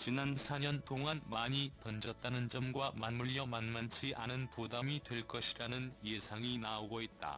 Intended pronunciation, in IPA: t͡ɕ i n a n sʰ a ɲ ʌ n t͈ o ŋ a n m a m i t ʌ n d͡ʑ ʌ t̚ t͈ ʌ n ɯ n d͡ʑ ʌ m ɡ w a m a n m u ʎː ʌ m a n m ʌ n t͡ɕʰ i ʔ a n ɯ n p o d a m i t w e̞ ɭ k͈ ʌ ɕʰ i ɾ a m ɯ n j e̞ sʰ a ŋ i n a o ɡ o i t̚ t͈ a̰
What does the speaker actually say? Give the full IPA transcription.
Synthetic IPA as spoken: t͡ɕ i n a n sʰ a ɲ ʌ n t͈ o ŋ a n m a ɲ i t ʌ n d͡ʑ ʌ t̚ t͈ a n ɯ n d͡ʑ ʌ m ɡ w a m a n m u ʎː ʌ m a n m a n t͡ɕʰ i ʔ a n ɯ n p o d a m i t w e̞ ɭ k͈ ʌ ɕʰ i ɾ a n ɯ n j e̞ sʰ a ŋ i n a o ɡ o i t̚ t͈ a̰